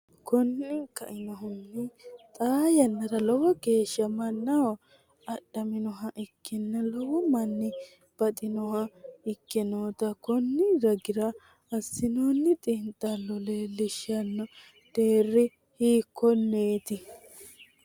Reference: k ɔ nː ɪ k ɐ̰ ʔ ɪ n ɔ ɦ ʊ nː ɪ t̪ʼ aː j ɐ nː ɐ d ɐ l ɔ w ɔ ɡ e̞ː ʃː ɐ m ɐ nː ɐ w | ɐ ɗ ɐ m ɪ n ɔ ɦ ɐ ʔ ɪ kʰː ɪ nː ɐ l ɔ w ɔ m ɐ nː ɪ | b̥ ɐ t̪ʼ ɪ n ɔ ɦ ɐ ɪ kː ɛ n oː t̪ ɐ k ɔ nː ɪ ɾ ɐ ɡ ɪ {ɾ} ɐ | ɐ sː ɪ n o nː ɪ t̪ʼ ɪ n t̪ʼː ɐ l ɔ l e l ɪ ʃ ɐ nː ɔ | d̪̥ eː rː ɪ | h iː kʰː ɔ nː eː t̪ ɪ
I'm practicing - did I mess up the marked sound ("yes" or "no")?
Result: no